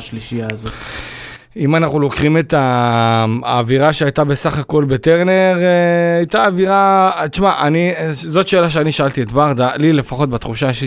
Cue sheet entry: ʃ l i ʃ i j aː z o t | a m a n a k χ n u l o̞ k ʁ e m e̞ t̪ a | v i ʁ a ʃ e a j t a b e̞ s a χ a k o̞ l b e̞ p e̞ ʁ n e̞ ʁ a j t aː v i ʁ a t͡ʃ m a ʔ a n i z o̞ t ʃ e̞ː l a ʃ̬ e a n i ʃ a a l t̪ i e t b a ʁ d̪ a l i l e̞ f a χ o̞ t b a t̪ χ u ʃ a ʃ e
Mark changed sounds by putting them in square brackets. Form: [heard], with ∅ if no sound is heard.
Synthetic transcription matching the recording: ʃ l i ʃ i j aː z o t | [i] m a n a [∅] χ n u l o̞ k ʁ [i] m e̞ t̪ a | v i ʁ a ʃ e a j t a b e̞ s a χ a k o̞ l b e̞ [t] e̞ ʁ n e̞ ʁ a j t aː v i ʁ a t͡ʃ m a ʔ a n i z o̞ t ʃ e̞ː l a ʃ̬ e a n i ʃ a a l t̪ i e t b a ʁ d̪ a l i l e̞ f a χ o̞ t b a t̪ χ u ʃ a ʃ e